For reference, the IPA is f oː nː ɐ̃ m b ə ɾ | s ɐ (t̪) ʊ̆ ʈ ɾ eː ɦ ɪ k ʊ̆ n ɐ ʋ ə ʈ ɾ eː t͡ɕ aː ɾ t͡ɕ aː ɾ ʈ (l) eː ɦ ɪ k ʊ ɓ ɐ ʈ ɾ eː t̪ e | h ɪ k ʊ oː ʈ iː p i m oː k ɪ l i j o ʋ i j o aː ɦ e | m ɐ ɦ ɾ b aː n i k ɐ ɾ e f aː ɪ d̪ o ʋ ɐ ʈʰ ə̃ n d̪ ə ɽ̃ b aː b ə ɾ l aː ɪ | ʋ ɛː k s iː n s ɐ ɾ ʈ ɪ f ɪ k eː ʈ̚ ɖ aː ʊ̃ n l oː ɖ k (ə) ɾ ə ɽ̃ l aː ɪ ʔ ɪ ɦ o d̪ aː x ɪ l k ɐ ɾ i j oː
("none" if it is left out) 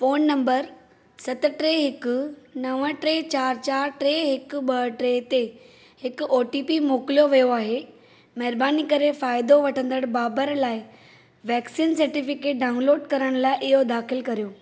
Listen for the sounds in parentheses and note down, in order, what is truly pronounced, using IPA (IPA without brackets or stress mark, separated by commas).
t̪, ɾ, ɐ